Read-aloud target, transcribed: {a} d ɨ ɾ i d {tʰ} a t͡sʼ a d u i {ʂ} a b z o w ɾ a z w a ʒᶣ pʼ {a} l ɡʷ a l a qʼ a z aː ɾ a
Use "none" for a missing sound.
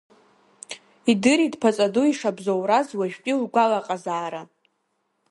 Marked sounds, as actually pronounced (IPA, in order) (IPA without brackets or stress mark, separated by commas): i, pʰ, ʂ, i